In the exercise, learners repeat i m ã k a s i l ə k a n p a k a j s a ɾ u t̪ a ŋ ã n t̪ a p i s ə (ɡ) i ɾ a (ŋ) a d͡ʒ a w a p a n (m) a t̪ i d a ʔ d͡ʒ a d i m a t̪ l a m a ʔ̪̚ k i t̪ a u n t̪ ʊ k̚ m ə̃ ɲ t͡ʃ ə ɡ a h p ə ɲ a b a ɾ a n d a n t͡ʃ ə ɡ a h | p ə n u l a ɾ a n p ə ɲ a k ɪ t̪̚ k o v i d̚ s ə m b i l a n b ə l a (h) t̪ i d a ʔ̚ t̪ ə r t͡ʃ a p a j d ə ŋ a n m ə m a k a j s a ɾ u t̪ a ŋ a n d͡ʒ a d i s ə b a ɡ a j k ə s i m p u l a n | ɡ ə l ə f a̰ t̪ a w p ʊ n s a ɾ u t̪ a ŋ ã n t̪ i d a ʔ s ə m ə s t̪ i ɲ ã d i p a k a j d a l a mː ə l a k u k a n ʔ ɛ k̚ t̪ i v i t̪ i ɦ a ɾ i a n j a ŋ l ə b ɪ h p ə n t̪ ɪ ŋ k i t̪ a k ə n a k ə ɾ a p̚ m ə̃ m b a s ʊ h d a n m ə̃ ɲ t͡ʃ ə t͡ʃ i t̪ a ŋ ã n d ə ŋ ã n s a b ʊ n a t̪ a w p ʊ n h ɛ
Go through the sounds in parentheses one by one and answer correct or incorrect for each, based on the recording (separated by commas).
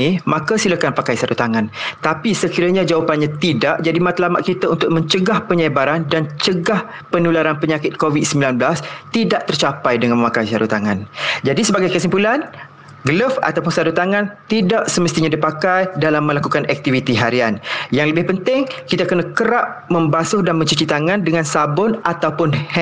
incorrect, incorrect, incorrect, incorrect